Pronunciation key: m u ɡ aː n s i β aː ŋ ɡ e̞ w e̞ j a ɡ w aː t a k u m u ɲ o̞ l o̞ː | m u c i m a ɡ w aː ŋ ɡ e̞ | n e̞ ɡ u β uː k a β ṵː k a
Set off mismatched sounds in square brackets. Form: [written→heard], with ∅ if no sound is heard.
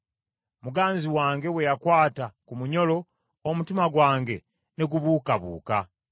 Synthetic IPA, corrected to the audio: m u ɡ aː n [s→z] i [β→w] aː ŋ ɡ e̞ w e̞ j a [ɡ→k] w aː t a k u m u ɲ o̞ l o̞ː | m u [c→t] i m a ɡ w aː ŋ ɡ e̞ | n e̞ ɡ u β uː k a β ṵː k a